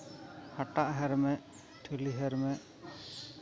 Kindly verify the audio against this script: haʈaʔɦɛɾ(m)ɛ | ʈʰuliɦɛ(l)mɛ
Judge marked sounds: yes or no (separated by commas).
yes, no